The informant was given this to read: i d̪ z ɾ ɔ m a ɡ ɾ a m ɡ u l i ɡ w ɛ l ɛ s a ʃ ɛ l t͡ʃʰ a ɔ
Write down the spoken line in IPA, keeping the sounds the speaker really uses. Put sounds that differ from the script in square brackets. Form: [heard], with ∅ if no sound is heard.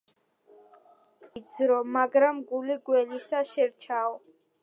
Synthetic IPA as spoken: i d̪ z ɾ ɔ m a ɡ ɾ a m ɡ u l i ɡ w ɛ l [i] s a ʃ ɛ [ɾ] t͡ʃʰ a ɔ